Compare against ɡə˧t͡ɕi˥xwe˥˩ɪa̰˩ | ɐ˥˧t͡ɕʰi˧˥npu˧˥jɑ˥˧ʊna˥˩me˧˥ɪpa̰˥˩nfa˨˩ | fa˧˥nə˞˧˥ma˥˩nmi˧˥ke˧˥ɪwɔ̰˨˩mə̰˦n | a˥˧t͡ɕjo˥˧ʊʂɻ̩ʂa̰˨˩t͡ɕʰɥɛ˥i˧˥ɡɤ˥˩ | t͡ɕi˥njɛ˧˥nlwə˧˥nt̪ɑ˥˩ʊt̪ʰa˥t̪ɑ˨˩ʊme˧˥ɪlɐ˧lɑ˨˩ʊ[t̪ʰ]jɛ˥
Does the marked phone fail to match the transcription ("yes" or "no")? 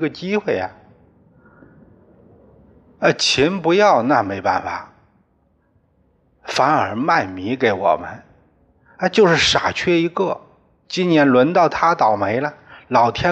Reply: no